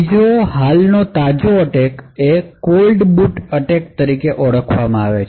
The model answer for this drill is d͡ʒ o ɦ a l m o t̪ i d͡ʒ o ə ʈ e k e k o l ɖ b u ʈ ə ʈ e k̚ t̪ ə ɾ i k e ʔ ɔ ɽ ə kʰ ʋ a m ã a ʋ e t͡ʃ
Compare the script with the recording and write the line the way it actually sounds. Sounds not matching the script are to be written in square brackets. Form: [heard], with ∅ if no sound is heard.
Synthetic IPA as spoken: d͡ʒ o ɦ a l [n] o t̪ [a] d͡ʒ o ə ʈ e k e k o l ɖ b u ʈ ə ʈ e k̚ t̪ ə ɾ i k e ʔ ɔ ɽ ə kʰ ʋ a m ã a ʋ e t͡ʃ